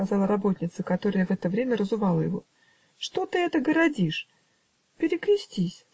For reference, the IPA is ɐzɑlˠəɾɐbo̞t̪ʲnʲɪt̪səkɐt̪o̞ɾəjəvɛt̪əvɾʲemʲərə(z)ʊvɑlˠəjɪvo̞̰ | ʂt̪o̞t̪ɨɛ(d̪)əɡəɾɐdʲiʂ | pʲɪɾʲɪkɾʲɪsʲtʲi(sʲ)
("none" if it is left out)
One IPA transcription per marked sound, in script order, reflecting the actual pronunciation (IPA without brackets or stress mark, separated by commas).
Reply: z, t̪, sʲ